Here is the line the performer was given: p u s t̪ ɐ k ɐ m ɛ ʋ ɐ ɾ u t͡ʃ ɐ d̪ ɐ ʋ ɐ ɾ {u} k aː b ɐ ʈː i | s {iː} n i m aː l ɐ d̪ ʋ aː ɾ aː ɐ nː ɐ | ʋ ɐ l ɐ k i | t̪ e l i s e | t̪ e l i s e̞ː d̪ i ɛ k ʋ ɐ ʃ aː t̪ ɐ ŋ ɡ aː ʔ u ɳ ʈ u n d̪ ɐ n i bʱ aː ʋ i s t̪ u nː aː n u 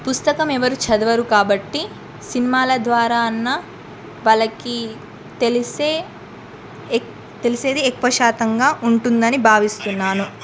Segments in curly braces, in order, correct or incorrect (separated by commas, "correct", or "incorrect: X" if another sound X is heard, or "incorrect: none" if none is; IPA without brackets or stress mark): correct, incorrect: i